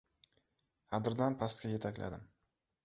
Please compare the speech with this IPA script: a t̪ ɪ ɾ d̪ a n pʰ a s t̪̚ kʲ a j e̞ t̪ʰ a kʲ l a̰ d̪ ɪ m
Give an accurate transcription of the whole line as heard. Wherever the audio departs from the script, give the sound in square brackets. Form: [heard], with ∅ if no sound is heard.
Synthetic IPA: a [d̪] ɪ ɾ d̪ a n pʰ a s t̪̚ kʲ a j e̞ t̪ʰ a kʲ l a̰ d̪ ɪ m